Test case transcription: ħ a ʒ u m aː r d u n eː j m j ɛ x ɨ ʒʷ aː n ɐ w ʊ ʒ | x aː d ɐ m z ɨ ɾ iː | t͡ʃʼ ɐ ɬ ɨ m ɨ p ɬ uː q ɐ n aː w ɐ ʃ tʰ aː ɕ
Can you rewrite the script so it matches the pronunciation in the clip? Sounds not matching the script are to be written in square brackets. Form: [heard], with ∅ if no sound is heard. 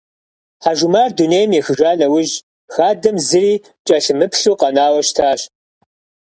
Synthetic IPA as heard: ħ a ʒ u m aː r d u n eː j m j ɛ x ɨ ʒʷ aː n ɐ w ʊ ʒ | x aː d ɐ m z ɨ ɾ iː | t͡ʃʼ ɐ ɬ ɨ m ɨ p ɬ uː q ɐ n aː w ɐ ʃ tʰ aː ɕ